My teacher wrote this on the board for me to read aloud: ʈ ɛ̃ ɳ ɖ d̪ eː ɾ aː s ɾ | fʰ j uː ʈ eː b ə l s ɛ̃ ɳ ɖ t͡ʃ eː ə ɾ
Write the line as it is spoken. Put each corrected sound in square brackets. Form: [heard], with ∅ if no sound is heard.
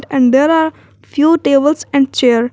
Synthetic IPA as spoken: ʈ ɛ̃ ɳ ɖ d̪ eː ɾ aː [∅] ɾ | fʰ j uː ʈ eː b ə l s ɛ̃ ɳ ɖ t͡ʃ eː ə ɾ